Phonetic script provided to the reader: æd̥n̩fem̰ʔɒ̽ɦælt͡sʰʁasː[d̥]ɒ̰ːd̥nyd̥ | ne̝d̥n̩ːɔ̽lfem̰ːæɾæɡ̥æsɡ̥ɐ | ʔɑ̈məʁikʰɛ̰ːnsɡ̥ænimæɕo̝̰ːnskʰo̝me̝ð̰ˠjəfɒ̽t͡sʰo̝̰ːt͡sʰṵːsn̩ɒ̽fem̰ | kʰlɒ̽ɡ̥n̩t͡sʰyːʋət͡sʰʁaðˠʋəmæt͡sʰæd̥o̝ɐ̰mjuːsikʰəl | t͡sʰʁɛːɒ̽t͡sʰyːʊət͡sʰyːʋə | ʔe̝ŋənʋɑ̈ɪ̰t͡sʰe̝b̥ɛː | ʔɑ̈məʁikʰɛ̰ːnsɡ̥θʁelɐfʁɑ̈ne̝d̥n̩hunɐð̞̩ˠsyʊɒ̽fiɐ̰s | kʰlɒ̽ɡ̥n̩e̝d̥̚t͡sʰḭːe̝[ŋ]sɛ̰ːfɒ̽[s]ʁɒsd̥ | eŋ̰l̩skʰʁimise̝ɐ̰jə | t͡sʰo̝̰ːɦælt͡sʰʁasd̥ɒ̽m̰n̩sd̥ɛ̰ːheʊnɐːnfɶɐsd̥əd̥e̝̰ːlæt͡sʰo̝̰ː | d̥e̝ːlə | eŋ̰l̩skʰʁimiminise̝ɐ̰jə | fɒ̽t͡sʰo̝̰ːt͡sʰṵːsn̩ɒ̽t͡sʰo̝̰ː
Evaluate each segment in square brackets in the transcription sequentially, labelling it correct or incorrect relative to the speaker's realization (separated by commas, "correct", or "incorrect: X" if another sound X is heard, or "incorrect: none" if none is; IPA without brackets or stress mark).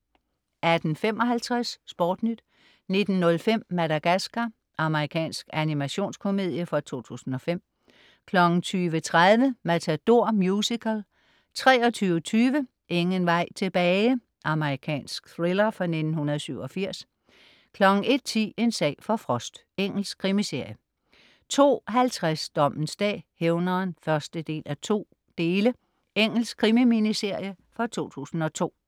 incorrect: b̥, incorrect: n, incorrect: f